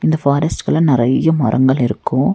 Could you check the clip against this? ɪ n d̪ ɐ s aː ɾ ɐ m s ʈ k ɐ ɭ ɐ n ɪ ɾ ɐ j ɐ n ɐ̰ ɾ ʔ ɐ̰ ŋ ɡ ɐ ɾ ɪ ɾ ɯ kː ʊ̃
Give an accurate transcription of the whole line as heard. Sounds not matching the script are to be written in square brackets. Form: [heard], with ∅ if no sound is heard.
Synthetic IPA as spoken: ɪ n d̪ ɐ [f] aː ɾ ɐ [∅] s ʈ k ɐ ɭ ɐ n ɪ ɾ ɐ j ɐ [m] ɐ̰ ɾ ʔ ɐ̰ ŋ ɡ ɐ [ɭ] ɪ ɾ ɯ kː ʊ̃